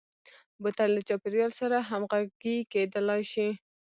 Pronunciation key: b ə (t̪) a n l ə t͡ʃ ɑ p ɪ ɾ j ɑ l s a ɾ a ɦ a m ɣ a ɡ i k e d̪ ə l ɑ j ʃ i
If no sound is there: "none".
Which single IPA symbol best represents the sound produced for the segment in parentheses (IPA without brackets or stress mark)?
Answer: t̪